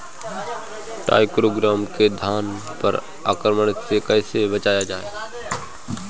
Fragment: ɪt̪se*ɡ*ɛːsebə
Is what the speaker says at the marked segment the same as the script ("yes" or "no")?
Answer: no